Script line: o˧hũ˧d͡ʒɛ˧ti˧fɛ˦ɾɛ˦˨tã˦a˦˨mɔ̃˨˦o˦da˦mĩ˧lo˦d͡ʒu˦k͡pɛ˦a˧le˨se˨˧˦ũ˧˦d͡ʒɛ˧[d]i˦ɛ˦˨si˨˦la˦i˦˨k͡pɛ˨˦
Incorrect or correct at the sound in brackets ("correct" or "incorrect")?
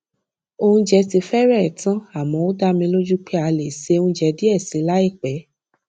correct